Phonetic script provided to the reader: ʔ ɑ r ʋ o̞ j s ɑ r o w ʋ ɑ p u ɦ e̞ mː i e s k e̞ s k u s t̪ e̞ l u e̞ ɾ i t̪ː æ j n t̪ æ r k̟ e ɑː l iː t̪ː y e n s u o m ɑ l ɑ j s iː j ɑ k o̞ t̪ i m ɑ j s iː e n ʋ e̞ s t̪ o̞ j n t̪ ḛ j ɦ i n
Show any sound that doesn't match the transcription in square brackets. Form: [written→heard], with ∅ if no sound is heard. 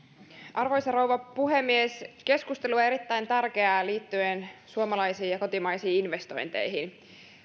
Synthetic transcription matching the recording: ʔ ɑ r ʋ o̞ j s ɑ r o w ʋ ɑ p u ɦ e̞ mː i e s k e̞ s k u s t̪ e̞ l u e̞ ɾ i t̪ː æ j n t̪ æ r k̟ e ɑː l iː t̪ː y e n s u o m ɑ l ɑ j s iː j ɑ k o̞ t̪ i m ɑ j s iː [e→i] n ʋ e̞ s t̪ o̞ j n t̪ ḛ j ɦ i n